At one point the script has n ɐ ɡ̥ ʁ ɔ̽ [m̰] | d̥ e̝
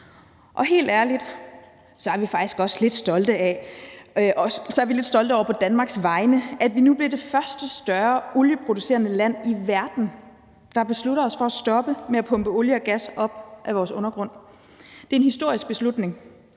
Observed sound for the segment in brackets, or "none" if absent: n̰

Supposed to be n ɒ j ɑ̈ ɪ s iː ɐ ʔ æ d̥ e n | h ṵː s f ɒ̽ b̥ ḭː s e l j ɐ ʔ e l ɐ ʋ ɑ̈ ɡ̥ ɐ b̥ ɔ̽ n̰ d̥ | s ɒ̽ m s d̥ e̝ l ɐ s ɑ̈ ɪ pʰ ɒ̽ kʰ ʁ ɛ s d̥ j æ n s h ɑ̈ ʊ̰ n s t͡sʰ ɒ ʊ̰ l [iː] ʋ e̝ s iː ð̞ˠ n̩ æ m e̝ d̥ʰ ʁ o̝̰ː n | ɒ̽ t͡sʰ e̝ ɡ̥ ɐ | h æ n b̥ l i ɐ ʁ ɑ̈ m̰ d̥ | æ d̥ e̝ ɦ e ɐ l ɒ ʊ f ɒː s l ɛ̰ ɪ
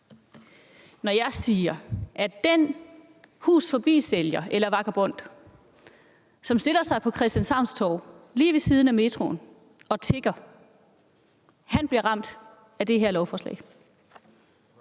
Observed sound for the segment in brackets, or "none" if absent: iː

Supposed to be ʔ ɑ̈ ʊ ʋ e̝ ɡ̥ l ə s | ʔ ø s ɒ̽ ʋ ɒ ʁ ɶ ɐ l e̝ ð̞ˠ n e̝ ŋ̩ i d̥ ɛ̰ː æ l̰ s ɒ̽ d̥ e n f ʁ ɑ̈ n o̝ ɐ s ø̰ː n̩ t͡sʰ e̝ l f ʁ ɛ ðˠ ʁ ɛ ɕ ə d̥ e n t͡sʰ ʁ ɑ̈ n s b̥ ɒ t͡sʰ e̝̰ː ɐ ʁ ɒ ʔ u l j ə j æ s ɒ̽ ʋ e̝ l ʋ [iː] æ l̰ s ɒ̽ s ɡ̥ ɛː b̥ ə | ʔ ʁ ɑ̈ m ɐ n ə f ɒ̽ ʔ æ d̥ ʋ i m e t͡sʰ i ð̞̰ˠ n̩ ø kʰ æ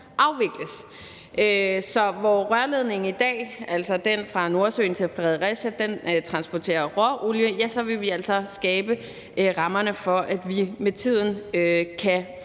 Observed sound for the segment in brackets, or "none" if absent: i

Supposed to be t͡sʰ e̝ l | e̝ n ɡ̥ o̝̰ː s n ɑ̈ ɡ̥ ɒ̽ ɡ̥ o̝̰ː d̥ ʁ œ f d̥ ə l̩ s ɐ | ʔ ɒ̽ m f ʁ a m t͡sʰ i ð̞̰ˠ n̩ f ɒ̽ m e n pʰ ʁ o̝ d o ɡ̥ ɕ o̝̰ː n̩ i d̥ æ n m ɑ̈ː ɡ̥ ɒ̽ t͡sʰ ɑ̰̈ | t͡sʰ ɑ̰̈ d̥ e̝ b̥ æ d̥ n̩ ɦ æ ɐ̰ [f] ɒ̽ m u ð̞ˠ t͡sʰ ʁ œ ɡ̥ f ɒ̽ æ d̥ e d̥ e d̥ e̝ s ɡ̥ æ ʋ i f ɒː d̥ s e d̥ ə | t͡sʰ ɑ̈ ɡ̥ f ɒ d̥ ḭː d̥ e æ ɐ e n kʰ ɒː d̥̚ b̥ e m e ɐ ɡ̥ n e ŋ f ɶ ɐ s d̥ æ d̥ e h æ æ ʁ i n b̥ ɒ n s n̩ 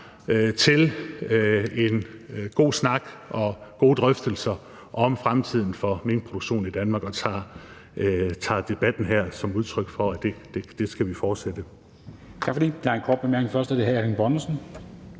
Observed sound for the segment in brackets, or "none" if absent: s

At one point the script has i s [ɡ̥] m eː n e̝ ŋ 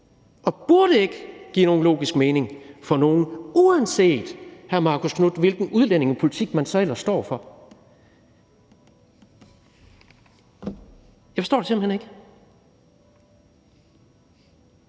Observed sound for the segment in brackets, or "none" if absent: ɡ̥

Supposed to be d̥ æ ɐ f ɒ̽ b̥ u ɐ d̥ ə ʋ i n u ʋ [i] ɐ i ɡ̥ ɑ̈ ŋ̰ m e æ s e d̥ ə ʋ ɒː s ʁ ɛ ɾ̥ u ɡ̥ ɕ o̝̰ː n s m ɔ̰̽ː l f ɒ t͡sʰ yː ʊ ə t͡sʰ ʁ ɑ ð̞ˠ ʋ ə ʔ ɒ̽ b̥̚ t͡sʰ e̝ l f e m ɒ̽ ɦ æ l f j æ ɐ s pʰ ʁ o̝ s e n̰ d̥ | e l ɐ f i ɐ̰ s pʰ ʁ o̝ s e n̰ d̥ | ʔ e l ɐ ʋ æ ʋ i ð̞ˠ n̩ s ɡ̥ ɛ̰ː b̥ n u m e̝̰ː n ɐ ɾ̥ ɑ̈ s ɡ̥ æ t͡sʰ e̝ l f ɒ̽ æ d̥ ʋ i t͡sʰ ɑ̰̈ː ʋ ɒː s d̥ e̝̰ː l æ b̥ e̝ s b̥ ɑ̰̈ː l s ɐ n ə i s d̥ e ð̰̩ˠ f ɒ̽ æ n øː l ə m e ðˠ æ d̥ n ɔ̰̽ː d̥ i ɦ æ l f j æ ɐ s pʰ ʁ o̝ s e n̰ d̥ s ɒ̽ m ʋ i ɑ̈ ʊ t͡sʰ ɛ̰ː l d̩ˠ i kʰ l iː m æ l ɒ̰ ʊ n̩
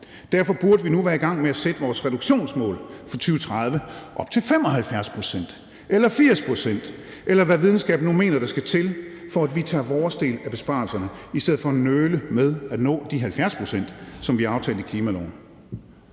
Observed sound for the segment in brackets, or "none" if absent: æ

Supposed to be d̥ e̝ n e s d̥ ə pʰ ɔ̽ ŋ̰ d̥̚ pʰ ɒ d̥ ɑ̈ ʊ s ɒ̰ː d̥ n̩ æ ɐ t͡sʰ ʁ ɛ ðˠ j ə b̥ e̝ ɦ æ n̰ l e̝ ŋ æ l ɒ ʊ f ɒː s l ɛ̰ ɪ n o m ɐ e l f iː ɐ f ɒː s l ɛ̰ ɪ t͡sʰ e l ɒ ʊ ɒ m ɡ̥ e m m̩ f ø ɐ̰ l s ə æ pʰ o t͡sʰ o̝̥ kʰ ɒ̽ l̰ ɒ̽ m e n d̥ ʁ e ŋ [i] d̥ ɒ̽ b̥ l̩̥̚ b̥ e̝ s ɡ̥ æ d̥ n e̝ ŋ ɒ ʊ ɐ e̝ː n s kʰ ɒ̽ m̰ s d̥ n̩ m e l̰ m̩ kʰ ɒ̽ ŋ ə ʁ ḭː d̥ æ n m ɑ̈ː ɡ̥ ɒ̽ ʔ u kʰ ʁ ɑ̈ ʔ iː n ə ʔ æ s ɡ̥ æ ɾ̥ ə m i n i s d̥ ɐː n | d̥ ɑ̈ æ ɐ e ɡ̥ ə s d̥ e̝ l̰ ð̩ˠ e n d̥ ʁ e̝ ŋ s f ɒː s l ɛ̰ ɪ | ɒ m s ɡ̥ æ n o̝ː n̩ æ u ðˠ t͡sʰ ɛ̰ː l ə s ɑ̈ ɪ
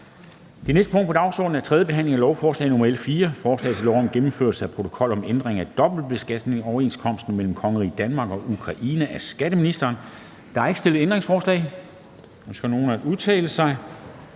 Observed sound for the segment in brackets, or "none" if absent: æ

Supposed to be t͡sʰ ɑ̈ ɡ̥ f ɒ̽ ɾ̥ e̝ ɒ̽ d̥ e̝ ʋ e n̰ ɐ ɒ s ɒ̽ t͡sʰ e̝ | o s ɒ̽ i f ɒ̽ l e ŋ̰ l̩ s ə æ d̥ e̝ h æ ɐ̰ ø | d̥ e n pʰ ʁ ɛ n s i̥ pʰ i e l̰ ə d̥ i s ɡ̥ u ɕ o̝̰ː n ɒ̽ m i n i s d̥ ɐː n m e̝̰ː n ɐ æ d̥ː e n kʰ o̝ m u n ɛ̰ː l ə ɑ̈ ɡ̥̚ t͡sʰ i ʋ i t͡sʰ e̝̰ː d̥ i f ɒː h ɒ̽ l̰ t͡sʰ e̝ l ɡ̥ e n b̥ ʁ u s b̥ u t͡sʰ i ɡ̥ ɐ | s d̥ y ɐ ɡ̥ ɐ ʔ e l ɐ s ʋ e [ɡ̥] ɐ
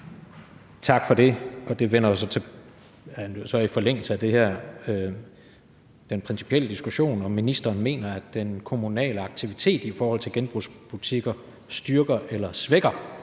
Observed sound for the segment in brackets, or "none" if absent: ɡ̥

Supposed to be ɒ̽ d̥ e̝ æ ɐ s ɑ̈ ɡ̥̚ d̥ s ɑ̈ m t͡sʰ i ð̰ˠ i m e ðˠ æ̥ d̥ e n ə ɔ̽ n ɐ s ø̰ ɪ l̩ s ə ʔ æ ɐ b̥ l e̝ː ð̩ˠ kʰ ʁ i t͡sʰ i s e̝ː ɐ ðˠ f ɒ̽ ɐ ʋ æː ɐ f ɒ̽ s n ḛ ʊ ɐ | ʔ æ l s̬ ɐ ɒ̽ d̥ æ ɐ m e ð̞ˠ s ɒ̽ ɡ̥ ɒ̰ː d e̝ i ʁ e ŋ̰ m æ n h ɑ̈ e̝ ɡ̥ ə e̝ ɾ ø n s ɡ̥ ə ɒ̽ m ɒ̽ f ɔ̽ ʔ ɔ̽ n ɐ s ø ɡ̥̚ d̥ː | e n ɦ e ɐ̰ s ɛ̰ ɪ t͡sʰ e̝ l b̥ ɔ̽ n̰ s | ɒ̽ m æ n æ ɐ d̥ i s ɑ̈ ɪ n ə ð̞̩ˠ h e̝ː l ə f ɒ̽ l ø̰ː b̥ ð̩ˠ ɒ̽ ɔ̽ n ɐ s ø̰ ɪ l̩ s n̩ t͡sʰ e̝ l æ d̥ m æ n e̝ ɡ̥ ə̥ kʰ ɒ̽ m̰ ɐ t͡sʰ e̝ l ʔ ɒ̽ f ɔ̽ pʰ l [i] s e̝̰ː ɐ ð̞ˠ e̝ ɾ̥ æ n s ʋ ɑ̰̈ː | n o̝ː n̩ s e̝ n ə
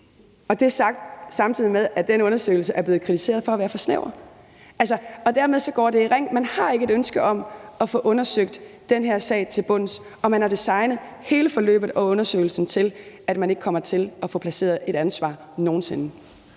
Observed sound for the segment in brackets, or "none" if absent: æ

